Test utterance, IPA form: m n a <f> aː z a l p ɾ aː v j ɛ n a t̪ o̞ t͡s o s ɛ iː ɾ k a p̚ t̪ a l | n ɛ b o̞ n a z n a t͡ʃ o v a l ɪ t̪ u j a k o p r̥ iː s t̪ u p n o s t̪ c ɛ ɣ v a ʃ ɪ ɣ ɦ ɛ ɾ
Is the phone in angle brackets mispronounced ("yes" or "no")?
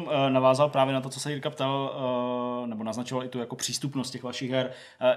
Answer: yes